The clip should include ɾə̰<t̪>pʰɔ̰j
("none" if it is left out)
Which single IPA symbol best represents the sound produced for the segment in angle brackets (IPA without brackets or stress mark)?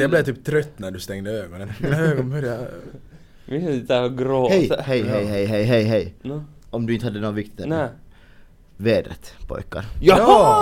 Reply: t̪